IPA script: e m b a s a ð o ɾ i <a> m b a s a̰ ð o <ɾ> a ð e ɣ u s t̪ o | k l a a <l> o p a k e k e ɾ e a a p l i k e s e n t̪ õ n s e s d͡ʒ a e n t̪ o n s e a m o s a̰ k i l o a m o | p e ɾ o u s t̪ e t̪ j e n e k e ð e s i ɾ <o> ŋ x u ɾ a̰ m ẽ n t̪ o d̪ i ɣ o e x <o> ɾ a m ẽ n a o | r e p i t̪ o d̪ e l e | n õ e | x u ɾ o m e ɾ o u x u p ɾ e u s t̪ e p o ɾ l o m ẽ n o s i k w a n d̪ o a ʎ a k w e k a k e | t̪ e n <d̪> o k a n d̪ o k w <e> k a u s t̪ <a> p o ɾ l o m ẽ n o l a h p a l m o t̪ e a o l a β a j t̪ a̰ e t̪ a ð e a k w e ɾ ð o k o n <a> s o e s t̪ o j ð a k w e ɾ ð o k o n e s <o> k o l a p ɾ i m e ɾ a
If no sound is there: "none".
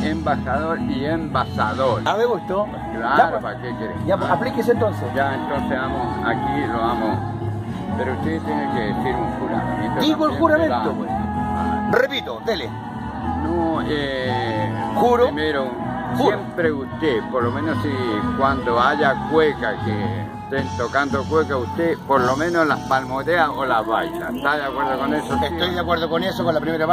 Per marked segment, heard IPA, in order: e, ɾ, ɾ, u, u, t̪, e, e, e, o

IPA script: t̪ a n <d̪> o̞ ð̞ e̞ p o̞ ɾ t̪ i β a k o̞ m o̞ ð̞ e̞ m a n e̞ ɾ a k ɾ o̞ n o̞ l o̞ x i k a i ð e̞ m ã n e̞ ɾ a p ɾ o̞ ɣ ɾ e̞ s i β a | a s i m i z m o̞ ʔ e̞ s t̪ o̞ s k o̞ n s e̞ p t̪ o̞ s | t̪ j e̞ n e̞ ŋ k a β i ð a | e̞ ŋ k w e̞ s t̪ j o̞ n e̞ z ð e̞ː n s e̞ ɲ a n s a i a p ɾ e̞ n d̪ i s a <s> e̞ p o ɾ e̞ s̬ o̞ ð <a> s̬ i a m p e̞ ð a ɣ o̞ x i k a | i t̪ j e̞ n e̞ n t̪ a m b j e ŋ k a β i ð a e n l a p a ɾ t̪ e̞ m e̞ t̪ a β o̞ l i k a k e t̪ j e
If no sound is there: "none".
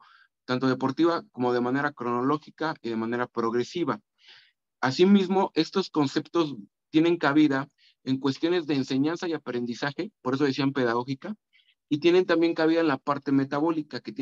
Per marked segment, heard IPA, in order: t̪, x, e

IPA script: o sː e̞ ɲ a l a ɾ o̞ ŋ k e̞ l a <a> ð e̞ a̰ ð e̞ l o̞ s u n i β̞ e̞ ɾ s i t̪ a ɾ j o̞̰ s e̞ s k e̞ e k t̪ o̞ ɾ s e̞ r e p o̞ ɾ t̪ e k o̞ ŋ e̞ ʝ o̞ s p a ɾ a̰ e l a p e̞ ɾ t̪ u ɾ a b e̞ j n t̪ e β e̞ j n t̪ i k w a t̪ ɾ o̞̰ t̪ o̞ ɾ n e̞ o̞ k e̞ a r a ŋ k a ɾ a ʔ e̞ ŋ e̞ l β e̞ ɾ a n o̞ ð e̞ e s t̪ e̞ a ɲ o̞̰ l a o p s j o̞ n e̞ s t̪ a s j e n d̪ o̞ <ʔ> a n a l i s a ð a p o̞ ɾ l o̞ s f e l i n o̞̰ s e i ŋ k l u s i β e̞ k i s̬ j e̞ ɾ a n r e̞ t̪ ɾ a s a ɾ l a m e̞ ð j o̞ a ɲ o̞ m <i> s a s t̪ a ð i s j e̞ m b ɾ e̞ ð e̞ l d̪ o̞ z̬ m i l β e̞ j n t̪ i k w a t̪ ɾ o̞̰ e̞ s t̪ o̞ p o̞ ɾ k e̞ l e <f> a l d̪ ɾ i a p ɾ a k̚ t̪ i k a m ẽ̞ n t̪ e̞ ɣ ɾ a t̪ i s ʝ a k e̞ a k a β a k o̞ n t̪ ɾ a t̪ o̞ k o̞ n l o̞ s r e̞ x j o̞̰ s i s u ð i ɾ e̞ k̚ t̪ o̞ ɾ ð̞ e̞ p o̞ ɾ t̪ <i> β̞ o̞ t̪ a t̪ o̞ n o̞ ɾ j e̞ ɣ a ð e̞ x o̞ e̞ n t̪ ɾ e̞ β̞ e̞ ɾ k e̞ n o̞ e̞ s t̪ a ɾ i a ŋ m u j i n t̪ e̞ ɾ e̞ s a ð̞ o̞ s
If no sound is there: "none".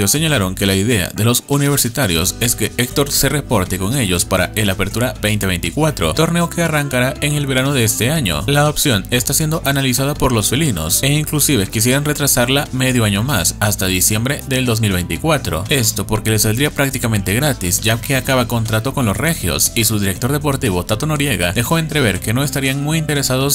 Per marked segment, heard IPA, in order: i, ʔ, a, s, i

